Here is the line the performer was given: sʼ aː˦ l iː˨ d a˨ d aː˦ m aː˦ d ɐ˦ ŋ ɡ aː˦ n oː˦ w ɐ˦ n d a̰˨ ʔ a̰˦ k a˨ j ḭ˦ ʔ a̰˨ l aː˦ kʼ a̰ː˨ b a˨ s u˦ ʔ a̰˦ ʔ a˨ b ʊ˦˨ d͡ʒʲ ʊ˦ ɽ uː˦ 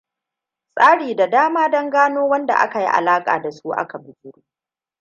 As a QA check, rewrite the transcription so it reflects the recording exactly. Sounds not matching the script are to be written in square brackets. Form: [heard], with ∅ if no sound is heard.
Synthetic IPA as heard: sʼ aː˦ [ɽ] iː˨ d a˨ d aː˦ m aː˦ d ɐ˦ ŋ ɡ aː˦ n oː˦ w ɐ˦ n d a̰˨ ʔ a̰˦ k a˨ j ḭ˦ ʔ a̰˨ l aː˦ kʼ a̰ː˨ [d] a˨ s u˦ ʔ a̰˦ [k] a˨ b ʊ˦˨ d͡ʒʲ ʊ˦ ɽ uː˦